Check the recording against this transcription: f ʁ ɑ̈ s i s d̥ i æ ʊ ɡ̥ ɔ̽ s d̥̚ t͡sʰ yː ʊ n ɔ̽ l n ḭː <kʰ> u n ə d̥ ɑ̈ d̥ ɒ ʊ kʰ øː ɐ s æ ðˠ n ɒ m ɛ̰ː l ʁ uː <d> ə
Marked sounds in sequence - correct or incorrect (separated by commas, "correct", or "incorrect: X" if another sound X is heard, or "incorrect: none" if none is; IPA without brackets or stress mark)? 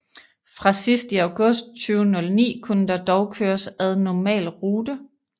correct, correct